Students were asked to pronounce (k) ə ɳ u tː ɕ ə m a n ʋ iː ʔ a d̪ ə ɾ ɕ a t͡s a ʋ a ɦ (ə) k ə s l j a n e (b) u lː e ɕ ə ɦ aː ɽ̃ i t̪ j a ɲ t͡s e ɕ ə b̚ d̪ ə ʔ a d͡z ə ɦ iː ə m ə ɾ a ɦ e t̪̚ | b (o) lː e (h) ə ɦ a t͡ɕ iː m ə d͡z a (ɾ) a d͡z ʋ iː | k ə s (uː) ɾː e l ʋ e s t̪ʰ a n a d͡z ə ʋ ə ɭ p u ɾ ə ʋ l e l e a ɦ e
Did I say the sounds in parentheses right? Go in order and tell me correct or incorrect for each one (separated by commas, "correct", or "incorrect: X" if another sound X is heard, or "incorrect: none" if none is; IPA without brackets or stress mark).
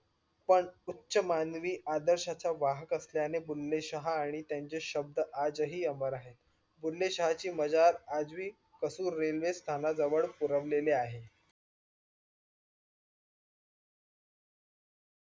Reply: incorrect: p, correct, correct, incorrect: u, incorrect: ɕ, correct, correct